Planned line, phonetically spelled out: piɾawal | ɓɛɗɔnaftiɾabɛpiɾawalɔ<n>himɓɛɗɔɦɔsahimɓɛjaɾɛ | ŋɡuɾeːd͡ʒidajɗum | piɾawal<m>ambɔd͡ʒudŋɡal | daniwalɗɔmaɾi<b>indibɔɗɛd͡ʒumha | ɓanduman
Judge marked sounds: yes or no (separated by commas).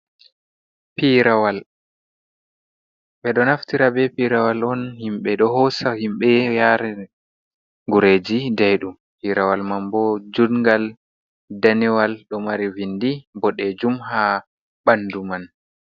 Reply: yes, yes, no